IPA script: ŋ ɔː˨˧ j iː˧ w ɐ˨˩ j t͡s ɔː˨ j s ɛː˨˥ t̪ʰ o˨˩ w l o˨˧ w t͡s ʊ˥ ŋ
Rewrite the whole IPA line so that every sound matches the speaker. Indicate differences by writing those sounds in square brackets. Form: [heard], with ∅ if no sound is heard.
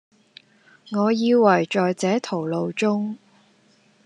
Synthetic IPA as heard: ŋ ɔː˨˧ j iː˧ w ɐ˨˩ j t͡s ɔː˨ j [t͡s] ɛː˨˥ t̪ʰ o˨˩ w l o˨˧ w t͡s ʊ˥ ŋ